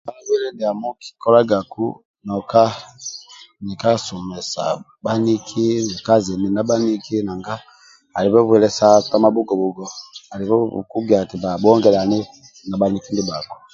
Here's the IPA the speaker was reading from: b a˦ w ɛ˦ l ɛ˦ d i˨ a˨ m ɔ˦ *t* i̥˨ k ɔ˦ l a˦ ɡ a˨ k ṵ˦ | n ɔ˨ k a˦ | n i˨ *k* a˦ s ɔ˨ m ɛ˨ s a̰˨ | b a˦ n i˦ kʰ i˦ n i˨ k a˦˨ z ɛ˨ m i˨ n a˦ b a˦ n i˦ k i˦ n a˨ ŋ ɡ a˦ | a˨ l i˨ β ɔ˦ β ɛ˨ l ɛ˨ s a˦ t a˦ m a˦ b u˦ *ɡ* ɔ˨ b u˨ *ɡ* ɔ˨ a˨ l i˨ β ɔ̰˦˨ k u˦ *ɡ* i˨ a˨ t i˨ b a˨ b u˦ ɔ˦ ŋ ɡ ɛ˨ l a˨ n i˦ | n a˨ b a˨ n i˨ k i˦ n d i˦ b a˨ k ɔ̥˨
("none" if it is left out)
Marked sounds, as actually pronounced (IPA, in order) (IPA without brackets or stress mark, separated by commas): k, k, ɡ, ɡ, ɡ